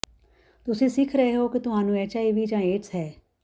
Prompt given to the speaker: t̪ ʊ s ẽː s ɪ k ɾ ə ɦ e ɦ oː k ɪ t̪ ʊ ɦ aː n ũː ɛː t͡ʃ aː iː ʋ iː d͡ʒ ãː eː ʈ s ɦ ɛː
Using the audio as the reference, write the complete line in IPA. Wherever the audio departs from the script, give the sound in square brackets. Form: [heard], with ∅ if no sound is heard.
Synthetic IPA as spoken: t̪ ʊ s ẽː s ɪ [kʰ] ɾ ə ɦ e ɦ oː k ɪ t̪ ʊ ɦ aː n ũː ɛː t͡ʃ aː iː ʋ iː d͡ʒ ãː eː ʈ s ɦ ɛː